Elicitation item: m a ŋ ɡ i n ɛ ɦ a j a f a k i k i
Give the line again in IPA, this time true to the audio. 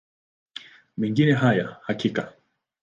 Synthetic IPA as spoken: m ɛ ŋ ɡ i n ɛ ɦ a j a h a k i k a